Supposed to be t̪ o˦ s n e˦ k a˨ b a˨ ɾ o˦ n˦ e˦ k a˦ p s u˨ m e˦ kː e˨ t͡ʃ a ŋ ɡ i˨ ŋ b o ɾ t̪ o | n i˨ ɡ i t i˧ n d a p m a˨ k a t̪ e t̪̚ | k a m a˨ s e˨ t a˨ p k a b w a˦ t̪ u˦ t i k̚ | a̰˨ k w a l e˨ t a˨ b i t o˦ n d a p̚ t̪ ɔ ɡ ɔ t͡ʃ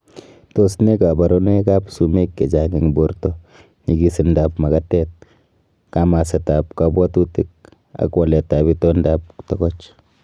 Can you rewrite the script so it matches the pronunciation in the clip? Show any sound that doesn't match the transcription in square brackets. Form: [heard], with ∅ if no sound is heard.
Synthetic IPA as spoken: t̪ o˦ s n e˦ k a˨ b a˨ ɾ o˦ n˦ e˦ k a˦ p s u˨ m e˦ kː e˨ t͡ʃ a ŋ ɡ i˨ ŋ b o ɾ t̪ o | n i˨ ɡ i [s] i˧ n d a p m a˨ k a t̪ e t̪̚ | k a m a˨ s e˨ t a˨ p k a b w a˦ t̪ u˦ t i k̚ | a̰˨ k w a l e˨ t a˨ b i t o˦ n d a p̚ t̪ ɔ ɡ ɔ t͡ʃ